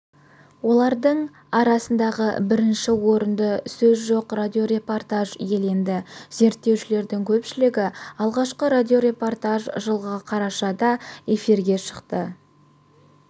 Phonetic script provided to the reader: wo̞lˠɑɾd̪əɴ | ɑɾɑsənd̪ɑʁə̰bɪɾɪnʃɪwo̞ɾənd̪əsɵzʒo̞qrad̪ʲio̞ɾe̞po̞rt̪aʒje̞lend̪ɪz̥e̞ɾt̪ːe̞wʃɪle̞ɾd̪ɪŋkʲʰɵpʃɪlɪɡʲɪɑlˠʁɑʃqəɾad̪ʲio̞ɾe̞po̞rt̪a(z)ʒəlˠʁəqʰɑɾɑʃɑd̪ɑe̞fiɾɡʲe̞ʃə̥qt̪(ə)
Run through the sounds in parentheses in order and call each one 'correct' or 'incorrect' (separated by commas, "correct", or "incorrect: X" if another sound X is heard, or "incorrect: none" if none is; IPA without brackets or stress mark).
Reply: incorrect: ʒ, correct